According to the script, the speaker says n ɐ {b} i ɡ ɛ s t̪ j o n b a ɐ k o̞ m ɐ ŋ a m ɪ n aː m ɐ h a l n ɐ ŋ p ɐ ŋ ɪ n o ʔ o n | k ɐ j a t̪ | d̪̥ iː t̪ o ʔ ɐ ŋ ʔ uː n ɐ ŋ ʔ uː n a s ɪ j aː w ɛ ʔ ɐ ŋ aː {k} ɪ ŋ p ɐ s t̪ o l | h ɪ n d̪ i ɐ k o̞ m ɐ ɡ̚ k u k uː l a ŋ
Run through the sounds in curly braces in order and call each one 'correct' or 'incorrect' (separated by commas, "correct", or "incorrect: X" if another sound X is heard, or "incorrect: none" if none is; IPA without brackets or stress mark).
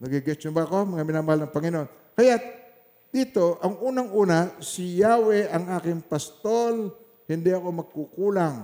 incorrect: ɡ, correct